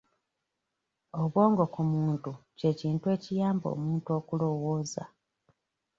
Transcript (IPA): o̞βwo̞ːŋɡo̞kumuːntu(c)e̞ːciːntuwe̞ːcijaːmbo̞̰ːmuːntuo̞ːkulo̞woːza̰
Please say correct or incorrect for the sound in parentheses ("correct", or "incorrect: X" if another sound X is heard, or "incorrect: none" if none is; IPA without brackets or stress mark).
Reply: correct